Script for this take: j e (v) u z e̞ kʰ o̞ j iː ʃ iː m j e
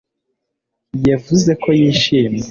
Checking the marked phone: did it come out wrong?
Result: no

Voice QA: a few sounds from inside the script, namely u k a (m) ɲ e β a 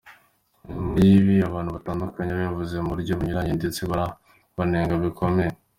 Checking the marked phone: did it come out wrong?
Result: yes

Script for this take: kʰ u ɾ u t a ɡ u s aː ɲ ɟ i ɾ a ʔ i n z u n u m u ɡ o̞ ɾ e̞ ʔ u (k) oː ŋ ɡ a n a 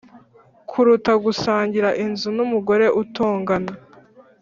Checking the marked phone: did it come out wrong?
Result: yes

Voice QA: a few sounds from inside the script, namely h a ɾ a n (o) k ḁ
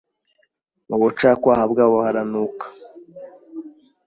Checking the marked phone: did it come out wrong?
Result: yes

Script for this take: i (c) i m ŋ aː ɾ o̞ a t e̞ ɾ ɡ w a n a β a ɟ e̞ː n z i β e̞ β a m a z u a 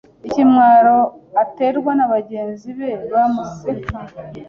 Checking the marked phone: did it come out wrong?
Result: no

